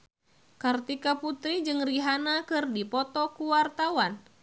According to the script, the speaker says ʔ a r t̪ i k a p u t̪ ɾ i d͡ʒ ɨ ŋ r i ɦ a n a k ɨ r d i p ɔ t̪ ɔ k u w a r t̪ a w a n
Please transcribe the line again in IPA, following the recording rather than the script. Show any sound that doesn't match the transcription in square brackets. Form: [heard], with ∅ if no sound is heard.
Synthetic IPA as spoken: [k] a r t̪ i k a p u t̪ ɾ i d͡ʒ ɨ ŋ r i ɦ a n a k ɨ r d i p ɔ t̪ ɔ k u w a r t̪ a w a n